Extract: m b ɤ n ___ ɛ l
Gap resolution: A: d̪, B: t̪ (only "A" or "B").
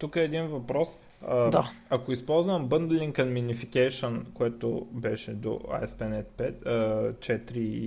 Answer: A